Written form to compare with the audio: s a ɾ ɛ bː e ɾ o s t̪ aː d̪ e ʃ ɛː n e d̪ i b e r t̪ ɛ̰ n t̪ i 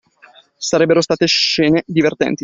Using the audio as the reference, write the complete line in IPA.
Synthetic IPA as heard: s a ɾ ɛ bː e ɾ o s t̪ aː t̪ e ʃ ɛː n e d̪ i v e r t̪ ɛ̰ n t̪ i